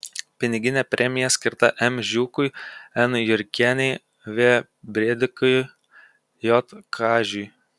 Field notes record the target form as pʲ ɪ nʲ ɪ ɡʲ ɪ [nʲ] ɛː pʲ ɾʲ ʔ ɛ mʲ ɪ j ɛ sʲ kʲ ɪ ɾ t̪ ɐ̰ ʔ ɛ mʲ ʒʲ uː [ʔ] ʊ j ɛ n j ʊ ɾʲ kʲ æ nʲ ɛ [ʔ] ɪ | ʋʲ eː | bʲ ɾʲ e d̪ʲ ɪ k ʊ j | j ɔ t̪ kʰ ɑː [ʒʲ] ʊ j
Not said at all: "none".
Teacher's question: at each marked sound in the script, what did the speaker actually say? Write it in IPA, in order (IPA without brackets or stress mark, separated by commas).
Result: nʲ, k, none, ʒʲ